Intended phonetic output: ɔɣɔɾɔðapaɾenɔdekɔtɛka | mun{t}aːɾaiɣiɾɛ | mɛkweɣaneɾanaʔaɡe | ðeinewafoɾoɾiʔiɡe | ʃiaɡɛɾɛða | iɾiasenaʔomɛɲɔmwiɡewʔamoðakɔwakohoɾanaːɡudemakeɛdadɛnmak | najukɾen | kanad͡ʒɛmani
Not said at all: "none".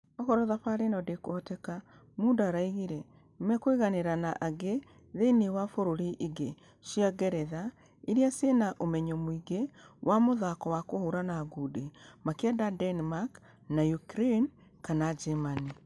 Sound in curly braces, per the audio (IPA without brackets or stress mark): d